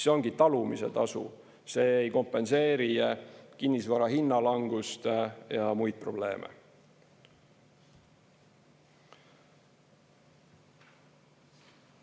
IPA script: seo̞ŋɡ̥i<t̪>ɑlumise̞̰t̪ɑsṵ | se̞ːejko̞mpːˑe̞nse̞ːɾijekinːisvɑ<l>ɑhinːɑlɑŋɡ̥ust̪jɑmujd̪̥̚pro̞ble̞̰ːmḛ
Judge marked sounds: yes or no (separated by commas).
yes, no